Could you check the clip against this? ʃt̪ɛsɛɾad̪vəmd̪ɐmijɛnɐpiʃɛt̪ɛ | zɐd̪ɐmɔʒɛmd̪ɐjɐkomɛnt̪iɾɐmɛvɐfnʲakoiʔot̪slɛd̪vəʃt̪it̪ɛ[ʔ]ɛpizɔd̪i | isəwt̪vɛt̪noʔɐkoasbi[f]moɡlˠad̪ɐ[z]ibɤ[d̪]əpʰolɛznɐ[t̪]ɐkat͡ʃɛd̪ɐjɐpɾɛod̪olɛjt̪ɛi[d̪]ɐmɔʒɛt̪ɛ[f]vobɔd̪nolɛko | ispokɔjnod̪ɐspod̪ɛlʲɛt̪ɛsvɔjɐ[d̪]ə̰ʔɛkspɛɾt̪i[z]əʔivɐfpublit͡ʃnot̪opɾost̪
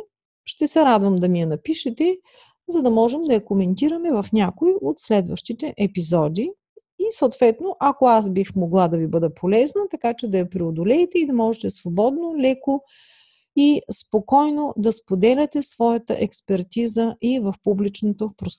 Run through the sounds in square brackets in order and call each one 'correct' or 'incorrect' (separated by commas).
correct, incorrect, incorrect, correct, correct, correct, incorrect, incorrect, correct